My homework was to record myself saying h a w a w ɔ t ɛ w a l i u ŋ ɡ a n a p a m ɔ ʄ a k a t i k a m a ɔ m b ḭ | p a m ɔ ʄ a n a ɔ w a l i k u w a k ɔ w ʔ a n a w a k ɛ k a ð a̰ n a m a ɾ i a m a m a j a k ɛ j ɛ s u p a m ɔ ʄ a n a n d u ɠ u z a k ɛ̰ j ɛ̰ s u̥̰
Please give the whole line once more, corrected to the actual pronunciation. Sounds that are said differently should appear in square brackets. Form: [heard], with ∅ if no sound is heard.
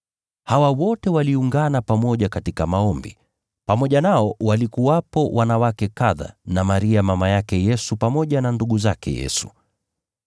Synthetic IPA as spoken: h a w a w ɔ t ɛ w a l i u ŋ ɡ a n a p a m ɔ ʄ a k a t i k a m a ɔ m b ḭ | p a m ɔ ʄ a n a ɔ w a l i k u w a [p] ɔ w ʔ a n a w a k ɛ k a ð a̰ n a m a ɾ i a m a m a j a k ɛ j ɛ s u p a m ɔ ʄ a n a n d u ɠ u z a k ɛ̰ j ɛ̰ s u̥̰